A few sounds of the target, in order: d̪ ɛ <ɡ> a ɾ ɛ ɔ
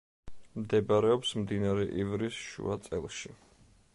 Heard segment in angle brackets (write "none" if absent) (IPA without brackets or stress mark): b